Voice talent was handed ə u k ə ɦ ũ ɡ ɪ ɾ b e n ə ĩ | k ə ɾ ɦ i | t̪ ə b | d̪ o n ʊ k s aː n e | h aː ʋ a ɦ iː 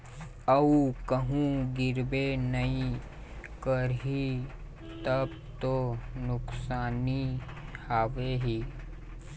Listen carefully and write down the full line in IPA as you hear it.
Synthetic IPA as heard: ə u k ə ɦ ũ ɡ ɪ ɾ b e n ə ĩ | k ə ɾ ɦ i | t̪ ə b | t̪ o n ʊ k s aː n i | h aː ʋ e ɦ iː

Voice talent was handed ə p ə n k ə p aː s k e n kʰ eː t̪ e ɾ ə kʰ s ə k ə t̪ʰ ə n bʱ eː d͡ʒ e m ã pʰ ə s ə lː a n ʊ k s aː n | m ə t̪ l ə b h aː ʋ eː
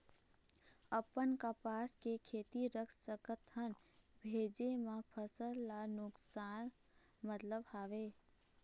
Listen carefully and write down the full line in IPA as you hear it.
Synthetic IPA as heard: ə p ə n k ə p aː s k e kʰ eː t̪ i ɾ ə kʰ s ə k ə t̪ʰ ə n bʱ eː d͡ʒ e m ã pʰ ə s ə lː a n ʊ k s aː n | m ə t̪ l ə b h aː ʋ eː

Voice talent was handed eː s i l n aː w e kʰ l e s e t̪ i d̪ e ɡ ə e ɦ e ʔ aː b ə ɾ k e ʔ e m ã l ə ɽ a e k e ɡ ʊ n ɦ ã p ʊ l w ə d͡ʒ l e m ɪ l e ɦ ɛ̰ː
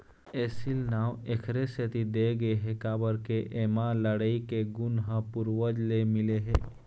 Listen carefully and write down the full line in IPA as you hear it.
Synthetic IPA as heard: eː s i l n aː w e kʰ ɾ e s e t̪ i d̪ e ɡ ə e ɦ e k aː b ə ɾ k e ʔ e m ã l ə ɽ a i k e ɡ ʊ n ɦ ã p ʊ ɾ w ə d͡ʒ l e m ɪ l e ɦ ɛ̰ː

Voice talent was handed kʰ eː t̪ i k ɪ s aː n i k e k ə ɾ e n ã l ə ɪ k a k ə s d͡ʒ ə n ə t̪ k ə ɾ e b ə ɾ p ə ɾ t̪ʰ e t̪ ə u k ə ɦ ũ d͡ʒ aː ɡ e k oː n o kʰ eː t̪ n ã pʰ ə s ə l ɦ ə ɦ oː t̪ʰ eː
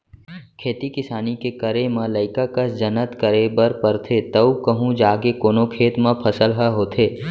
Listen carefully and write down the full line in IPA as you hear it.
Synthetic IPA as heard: kʰ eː t̪ i k ɪ s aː n i k e k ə ɾ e m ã l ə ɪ k a k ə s d͡ʒ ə n ə t̪ k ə ɾ e b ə ɾ p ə ɾ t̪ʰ e t̪ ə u k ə ɦ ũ d͡ʒ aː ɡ e k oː n o kʰ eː t̪ m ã pʰ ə s ə l ɦ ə ɦ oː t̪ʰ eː

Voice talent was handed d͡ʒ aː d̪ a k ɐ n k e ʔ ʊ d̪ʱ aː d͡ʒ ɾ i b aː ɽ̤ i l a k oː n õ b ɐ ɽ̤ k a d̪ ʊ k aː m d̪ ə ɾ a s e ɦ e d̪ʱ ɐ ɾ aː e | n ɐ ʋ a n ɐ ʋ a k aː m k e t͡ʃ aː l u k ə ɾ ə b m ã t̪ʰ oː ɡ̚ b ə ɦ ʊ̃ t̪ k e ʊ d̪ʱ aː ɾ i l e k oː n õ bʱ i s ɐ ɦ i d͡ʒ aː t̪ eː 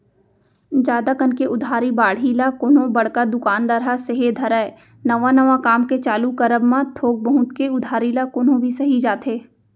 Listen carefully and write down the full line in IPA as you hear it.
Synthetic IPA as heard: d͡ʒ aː d̪ a k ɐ n k e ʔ ʊ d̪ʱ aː ɾ i b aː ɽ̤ i l a k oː n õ b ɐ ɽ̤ k a d̪ ʊ k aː n d̪ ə ɾ a s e ɦ e d̪ʱ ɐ ɾ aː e | n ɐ ʋ a n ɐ ʋ a k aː m k e t͡ʃ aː l u k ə ɾ ə b m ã t̪ʰ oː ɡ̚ b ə ɦ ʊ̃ t̪ k e ʊ d̪ʱ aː ɾ i l a k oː n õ bʱ i s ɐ ɦ i d͡ʒ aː t̪ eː

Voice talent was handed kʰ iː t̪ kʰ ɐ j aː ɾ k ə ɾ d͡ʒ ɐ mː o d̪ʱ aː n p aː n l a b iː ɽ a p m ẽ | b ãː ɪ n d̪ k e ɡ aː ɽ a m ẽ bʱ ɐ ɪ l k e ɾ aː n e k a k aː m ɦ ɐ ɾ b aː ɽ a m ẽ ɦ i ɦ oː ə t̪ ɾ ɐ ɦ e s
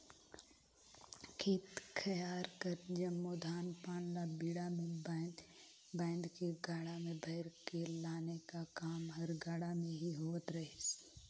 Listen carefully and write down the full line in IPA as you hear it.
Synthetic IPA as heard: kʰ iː t̪ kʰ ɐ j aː ɾ k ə ɾ d͡ʒ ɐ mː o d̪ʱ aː n p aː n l a b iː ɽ a m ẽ | b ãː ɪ n d̪ k e ɡ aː ɽ a m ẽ bʱ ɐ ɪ ɾ k e l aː n e k a k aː m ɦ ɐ ɾ ɡ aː ɽ a m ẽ ɦ i ɦ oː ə t̪ ɾ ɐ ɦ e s

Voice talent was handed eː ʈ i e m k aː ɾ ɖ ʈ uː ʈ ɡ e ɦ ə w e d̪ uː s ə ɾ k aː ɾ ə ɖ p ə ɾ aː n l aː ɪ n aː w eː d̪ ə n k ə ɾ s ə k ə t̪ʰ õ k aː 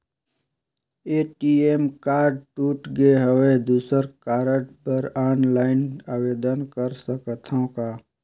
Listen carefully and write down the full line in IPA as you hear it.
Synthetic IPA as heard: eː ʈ i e m k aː ɾ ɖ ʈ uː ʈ ɡ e ɦ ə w e d̪ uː s ə ɾ k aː ɾ ə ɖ p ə ɾ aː n l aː ɪ n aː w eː d̪ ə n k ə ɾ s ə k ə t̪ʰ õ k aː

